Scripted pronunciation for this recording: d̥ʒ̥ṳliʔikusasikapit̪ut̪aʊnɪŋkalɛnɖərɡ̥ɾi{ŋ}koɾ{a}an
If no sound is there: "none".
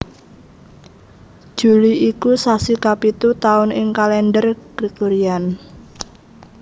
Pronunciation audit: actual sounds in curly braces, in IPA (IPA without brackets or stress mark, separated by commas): none, i